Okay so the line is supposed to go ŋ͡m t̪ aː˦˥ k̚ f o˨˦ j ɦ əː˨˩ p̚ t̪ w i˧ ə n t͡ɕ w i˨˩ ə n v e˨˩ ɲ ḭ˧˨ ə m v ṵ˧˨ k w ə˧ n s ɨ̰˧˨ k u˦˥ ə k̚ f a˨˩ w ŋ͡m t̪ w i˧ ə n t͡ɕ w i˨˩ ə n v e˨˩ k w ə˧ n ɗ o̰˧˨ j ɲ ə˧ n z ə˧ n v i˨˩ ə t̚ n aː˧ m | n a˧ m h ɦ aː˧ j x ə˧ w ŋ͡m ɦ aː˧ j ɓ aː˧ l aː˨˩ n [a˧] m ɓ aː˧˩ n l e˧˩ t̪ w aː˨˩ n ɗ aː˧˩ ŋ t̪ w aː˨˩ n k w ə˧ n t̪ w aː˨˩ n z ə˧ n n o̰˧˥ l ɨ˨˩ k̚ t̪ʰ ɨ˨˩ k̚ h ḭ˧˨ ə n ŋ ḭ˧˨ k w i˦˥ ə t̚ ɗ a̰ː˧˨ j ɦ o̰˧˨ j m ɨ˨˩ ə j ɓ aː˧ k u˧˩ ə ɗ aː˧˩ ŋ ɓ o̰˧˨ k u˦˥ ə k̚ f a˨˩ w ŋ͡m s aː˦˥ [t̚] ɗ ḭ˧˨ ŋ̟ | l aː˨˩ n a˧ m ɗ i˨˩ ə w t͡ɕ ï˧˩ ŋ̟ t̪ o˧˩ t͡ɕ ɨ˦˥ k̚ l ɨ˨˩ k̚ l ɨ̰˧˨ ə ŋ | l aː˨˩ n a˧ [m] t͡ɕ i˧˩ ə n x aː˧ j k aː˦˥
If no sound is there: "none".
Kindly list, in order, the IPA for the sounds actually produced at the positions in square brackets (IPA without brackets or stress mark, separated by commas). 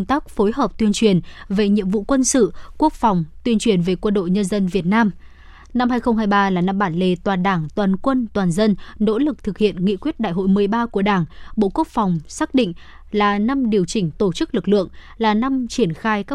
a˧, k̚, m